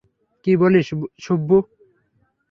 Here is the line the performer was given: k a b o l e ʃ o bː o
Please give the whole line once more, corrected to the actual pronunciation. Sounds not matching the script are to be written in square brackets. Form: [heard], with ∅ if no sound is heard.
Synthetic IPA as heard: k [i] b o l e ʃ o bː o